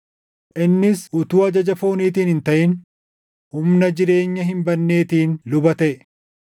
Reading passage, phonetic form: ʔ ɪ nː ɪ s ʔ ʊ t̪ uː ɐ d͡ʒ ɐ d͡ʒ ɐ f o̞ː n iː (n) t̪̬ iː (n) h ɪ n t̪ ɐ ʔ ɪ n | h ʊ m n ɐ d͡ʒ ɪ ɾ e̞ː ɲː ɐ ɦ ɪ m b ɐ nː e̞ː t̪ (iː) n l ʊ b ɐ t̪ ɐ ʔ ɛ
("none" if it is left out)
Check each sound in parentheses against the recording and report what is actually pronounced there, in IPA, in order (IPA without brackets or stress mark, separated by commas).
none, n, iː